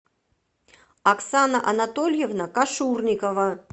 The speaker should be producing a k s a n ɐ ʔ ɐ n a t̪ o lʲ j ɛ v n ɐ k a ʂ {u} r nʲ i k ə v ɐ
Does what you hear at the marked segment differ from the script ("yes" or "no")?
no